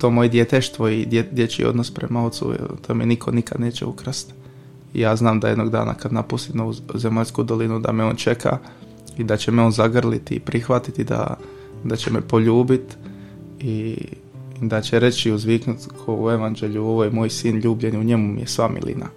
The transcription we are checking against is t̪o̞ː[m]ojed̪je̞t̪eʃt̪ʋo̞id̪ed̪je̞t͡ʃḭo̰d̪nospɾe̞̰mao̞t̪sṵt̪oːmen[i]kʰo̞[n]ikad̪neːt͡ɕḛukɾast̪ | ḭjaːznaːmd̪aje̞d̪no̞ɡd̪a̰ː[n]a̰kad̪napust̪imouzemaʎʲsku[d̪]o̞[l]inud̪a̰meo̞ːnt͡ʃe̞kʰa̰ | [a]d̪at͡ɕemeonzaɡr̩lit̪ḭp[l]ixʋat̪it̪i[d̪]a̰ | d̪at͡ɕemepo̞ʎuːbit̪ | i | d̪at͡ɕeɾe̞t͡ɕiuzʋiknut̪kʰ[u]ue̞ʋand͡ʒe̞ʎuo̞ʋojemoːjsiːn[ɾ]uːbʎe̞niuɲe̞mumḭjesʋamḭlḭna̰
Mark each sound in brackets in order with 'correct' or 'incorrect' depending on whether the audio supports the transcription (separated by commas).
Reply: correct, correct, correct, correct, correct, correct, incorrect, incorrect, correct, incorrect, incorrect